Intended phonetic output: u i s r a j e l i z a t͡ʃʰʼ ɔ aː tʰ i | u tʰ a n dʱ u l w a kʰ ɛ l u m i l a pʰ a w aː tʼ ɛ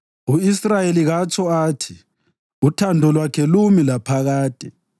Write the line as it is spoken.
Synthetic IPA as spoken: u i s r a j e l i ɣ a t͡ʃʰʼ ɔ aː tʰ i | u tʰ a n dʱ ɔ l w a kʰ ɛ l u m i l a pʰ a ɣ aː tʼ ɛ